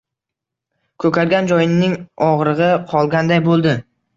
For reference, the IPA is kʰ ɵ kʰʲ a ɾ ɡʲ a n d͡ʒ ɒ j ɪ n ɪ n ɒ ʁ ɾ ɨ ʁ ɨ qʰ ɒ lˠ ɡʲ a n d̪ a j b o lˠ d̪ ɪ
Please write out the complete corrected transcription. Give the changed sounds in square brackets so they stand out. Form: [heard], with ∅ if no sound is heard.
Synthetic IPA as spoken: kʰ ɵ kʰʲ a ɾ ɡʲ a n d͡ʒ ɒ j ɪ n ɪ [ŋ] ɒ ʁ ɾ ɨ ʁ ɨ qʰ ɒ lˠ ɡʲ a n d̪ a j b o lˠ d̪ ɪ